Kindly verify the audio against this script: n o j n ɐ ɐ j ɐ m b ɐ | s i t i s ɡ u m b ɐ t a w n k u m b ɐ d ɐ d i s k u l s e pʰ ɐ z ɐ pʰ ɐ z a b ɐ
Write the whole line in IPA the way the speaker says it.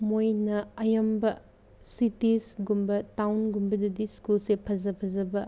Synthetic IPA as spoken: m o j n ɐ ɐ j ɐ m b ɐ | s i t i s ɡ u m b ɐ t a w n ɡ u m b ɐ d ɐ d i s k u l s e pʰ ɐ z ɐ pʰ ɐ z ɐ b ɐ